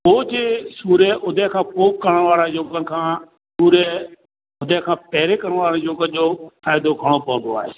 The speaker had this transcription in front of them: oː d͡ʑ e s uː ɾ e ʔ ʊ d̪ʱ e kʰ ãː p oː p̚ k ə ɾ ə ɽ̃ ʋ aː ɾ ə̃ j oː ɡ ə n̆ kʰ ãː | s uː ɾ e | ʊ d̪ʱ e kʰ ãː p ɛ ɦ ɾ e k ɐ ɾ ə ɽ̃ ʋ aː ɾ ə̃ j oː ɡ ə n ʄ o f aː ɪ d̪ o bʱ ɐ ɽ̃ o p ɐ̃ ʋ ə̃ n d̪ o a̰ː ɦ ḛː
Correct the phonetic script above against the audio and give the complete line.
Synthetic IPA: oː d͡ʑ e s uː ɾ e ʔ ʊ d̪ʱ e kʰ ãː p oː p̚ k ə ɾ ə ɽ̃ ʋ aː ɾ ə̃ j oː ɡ ə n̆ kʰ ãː | s uː ɾ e | ʊ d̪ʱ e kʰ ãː p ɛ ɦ ɾ e k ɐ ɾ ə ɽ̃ ʋ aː ɾ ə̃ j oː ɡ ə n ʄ o f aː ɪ d̪ o ɡʱ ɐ ɽ̃ o p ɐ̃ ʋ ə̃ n d̪ o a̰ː ɦ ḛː